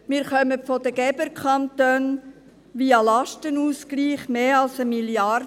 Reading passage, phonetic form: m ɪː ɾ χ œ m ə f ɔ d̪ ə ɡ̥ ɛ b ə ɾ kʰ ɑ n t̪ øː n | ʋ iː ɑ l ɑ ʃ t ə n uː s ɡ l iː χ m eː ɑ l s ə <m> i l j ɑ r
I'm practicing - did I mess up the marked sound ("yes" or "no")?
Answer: no